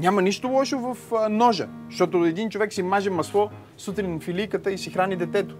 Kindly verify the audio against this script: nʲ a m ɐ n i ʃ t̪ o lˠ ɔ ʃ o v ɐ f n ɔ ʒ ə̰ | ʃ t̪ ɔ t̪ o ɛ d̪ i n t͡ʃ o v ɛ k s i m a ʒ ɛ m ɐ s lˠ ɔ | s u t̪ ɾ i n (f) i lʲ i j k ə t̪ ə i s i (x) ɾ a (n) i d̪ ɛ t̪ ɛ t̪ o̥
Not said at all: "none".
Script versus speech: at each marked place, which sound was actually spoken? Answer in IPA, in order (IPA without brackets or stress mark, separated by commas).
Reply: f, x, n